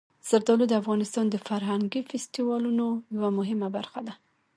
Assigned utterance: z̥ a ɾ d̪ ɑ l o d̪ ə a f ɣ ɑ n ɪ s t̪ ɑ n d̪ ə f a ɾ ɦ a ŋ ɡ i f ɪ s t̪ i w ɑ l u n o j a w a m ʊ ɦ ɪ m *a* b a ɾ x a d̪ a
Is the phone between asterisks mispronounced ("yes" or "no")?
no